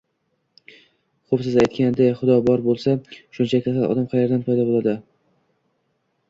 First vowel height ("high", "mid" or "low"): mid